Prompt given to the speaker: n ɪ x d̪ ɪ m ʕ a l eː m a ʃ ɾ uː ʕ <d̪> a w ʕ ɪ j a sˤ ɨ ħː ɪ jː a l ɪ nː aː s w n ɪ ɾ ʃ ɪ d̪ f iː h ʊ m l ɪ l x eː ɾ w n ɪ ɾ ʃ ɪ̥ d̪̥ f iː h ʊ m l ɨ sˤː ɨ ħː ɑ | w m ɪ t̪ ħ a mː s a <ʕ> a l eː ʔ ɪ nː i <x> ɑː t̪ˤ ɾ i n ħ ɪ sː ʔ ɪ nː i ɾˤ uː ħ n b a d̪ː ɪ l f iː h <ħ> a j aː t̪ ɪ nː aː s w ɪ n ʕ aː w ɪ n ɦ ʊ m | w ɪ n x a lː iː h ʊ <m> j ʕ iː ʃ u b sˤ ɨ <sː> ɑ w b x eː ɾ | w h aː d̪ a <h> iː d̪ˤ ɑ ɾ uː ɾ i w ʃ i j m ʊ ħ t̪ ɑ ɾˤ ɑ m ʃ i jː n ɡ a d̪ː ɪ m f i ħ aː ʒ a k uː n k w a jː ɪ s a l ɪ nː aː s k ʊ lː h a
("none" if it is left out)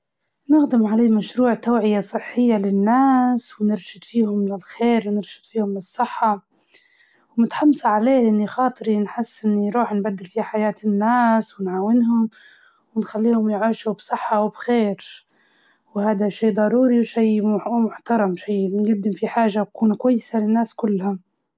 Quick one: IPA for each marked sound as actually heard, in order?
t̪, ʕ, x, ħ, m, ħː, ʃ

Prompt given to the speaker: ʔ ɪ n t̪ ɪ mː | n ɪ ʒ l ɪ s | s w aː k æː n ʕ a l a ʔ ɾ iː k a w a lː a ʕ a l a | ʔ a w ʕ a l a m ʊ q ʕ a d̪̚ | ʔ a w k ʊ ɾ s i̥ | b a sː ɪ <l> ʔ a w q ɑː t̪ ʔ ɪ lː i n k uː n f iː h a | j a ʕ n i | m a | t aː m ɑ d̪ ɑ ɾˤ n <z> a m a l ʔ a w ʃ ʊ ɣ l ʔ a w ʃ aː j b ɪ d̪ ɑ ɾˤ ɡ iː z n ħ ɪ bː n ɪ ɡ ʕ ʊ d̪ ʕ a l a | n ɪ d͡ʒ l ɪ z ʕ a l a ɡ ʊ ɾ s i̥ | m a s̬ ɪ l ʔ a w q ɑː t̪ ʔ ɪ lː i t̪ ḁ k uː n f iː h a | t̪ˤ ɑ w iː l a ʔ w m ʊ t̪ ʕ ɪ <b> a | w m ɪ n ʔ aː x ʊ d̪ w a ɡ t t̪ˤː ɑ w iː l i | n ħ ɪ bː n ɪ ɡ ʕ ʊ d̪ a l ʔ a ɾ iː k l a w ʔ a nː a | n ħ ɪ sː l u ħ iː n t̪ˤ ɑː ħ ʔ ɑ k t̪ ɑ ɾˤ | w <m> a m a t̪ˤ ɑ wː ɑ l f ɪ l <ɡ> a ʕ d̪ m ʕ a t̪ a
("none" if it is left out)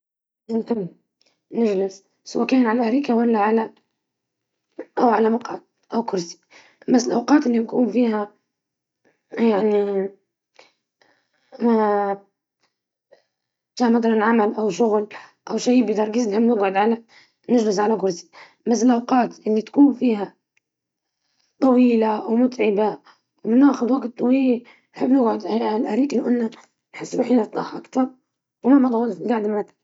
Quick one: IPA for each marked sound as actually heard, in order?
l, ʕ, b, m, ɡ

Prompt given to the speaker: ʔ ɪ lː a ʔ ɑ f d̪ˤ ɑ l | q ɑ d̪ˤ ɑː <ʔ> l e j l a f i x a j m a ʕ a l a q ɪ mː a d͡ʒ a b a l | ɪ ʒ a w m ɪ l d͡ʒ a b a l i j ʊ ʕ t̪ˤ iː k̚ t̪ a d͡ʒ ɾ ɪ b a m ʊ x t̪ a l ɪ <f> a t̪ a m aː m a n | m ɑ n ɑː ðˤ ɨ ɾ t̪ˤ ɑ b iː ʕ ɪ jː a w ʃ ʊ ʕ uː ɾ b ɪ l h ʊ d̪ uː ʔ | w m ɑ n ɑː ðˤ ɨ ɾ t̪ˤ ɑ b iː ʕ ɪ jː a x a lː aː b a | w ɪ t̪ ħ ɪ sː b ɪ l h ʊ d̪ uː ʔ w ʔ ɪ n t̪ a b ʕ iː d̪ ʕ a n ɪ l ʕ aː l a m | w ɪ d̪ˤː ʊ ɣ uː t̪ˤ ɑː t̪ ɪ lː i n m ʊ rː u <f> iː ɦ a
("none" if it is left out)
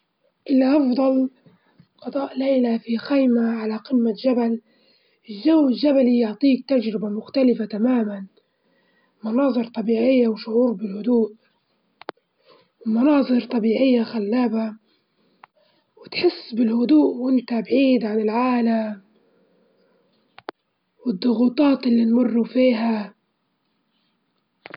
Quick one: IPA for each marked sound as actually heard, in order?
ʔ, f, f

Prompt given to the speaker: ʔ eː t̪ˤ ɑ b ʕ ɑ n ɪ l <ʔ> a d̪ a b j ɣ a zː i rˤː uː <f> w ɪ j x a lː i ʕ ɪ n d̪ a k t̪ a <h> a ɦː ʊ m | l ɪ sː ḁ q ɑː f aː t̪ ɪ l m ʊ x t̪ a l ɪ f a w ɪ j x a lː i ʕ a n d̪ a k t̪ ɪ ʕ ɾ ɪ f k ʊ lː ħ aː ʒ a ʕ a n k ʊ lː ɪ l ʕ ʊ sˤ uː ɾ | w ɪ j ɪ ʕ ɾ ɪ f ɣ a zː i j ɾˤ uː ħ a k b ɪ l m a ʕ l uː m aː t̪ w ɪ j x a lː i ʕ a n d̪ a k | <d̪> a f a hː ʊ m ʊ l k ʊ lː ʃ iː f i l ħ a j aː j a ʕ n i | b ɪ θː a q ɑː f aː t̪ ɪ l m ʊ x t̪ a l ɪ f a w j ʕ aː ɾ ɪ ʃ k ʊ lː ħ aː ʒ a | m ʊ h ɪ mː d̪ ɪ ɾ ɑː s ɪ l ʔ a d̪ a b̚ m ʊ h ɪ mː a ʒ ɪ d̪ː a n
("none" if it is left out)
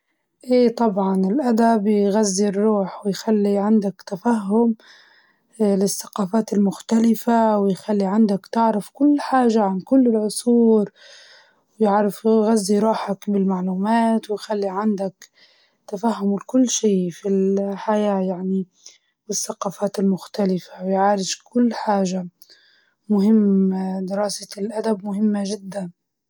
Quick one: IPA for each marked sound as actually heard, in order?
ʔ, ħ, f, t̪

